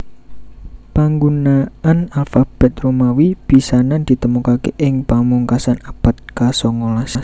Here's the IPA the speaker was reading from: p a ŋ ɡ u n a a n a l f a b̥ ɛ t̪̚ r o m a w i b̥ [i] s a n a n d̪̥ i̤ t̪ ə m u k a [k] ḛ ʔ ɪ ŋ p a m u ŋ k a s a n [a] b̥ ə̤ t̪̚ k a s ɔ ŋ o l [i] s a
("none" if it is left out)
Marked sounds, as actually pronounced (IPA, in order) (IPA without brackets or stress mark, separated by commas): i, k, a, a